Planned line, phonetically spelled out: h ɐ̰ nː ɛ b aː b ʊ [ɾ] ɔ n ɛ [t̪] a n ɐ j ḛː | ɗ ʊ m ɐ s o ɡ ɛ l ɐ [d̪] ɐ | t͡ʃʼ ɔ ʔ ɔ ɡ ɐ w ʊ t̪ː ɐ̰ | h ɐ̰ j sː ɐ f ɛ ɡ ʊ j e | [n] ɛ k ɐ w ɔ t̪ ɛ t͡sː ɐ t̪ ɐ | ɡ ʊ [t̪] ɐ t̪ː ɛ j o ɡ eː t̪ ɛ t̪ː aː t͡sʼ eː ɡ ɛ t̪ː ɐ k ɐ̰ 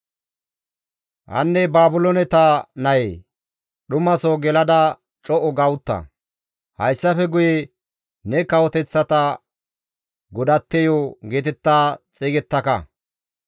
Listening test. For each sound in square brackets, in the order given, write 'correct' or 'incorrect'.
incorrect, correct, correct, correct, incorrect

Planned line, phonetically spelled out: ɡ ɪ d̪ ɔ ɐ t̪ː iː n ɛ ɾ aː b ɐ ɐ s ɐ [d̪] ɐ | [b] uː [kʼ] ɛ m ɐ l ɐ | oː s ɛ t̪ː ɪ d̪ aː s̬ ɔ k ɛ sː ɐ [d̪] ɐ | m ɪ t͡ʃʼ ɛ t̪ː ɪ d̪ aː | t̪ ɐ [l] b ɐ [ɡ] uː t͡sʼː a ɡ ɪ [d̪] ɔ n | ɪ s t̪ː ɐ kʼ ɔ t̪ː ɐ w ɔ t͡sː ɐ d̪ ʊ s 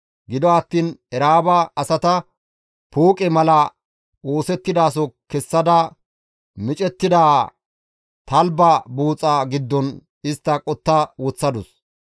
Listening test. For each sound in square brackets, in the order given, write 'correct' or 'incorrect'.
incorrect, incorrect, correct, correct, correct, incorrect, incorrect

